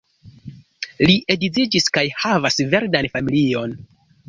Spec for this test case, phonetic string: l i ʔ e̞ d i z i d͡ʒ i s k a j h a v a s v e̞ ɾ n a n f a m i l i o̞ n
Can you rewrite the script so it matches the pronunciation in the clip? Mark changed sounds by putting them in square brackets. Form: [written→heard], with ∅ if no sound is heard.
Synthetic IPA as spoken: l i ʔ e̞ d i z i d͡ʒ i s k a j h a v a s v e̞ ɾ [n→d] a n f a m i l i o̞ n